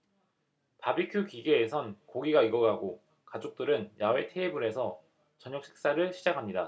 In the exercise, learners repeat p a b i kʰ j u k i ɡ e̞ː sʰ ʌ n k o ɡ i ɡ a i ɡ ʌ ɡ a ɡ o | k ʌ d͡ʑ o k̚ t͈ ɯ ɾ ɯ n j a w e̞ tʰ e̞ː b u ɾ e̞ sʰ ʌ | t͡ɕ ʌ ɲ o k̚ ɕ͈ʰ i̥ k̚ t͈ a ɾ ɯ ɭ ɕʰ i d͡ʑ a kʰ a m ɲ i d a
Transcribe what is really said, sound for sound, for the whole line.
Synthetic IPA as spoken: p a b i kʰ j u k i ɡ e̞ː sʰ ʌ n k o ɡ i ɡ a i ɡ ʌ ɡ a ɡ o | k a d͡ʑ o k̚ t͈ ɯ ɾ ɯ n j a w e̞ tʰ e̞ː b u ɾ e̞ sʰ ʌ | t͡ɕ ʌ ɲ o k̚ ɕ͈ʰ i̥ k̚ s͈ a ɾ ɯ ɭ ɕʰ i d͡ʑ a kʰ a m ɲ i d a